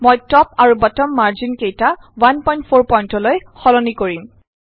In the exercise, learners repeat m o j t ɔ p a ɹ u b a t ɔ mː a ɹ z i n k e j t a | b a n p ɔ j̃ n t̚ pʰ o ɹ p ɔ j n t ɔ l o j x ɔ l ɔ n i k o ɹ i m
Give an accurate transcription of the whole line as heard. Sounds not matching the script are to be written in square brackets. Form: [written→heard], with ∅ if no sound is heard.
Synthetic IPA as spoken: m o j t ɔ p a ɹ u b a t ɔ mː a ɹ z i n k e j t a | [b→w] a n p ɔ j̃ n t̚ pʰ o ɹ p ɔ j n t ɔ l o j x ɔ l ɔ n i k o ɹ i m